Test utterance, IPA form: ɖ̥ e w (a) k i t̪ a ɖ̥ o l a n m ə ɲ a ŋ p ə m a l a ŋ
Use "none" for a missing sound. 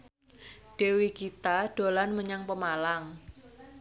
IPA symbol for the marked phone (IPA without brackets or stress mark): i